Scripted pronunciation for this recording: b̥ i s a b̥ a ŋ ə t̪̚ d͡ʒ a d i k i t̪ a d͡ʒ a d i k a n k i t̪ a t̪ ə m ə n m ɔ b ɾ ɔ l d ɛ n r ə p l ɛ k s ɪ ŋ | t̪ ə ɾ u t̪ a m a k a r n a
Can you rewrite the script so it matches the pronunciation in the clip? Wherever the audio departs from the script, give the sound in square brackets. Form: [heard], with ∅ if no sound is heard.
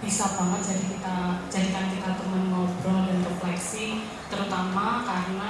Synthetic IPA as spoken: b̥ i s a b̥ a ŋ ə t̪̚ d͡ʒ a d i k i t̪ a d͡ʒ a d i k a n k i t̪ a t̪ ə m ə n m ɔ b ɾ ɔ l d [a] n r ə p l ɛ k s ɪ ŋ | t̪ ə ɾ u t̪ a m a k a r n a

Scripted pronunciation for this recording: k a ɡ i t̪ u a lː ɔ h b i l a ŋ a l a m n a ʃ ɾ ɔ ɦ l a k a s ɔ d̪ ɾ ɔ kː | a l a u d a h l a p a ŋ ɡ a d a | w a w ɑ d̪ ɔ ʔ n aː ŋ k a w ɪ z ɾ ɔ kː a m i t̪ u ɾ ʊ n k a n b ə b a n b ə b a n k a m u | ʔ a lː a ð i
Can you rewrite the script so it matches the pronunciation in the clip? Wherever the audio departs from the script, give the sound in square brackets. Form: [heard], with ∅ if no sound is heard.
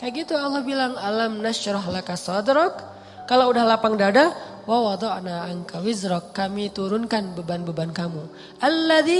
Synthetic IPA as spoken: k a ɡ i t̪ u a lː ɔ h b i l a ŋ a l a m n a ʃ ɾ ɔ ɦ l a k a s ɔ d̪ ɾ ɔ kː | a l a u d a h l a p a ŋ [d] a d a | w a w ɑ d̪ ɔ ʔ n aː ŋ k a w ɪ z ɾ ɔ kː a m i t̪ u ɾ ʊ n k a n b ə b a n b ə b a n k a m u | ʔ a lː a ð i

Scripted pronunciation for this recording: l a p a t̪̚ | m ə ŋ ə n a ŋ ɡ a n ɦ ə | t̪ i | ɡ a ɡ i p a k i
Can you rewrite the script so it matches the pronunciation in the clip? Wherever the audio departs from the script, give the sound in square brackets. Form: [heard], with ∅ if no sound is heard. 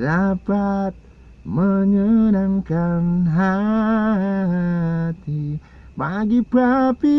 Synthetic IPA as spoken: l a p a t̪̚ | m ə [ɲ] ə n a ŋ [k] a n ɦ [a] | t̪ i | [b] a ɡ i p a [p] i

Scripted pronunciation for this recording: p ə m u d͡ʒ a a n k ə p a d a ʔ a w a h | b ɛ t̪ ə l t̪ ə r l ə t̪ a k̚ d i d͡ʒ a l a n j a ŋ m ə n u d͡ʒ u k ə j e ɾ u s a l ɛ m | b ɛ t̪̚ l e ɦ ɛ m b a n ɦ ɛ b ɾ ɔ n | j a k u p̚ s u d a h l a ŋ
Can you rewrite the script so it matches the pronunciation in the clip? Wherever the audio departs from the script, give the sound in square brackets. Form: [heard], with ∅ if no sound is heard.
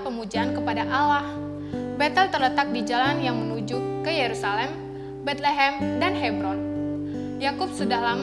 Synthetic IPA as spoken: p ə m u d͡ʒ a a n k ə p a d a ʔ a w a h | b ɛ t̪ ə l t̪ ə r l ə t̪ a k̚ d i d͡ʒ a l a n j a ŋ m ə n u d͡ʒ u k ə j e ɾ u s a l ɛ m | b ɛ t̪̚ l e ɦ ɛ m [d] a n ɦ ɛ b ɾ ɔ n | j a k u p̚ s u d a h l a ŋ

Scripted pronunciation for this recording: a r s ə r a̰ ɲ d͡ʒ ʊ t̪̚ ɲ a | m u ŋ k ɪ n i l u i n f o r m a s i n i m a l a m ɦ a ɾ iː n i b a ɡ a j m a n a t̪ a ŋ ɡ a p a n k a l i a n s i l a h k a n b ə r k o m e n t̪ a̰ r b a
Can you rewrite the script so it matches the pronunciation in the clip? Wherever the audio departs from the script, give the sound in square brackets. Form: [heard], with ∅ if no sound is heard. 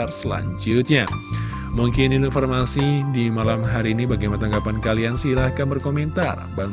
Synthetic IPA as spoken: a r s ə [l] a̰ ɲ d͡ʒ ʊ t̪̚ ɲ a | m u ŋ k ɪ n i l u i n f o r m a s i [d] i m a l a m ɦ a ɾ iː n i b a ɡ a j m a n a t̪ a ŋ ɡ a p a n k a l i a n s i l a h k a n b ə r k o m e n t̪ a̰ r b a

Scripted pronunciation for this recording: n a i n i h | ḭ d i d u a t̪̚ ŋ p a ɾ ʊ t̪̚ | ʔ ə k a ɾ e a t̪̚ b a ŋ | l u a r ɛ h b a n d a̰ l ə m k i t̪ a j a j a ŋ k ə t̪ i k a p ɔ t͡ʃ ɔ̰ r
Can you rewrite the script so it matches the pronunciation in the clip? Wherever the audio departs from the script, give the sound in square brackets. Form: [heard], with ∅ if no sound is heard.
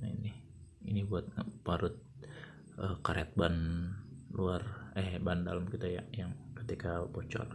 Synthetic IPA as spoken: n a i n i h | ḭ [n] i [b] u a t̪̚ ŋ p a ɾ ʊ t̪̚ | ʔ ə k a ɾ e a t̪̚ b a [n] | l u a r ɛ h b a n d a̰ l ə m k i t̪ a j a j a ŋ k ə t̪ i k a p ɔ t͡ʃ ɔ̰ r

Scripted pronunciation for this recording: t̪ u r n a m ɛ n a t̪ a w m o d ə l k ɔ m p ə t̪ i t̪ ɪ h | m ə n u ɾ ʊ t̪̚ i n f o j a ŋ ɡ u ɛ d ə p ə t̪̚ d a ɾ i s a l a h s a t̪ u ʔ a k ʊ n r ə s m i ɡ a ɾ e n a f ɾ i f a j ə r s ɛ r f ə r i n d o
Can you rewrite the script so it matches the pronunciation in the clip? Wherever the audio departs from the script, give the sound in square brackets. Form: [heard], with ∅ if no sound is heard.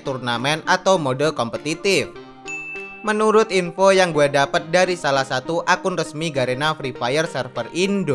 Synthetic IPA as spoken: t̪ u r n a m ɛ n a t̪ a w m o d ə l k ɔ m p ə t̪ i t̪ ɪ [f] | m ə n u ɾ ʊ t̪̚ i n f o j a ŋ ɡ u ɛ d [a] p ə t̪̚ d a ɾ i s a l a h s a t̪ u ʔ a k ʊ n r ə s m i ɡ a ɾ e n a f ɾ i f a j ə r s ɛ r f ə r i n d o

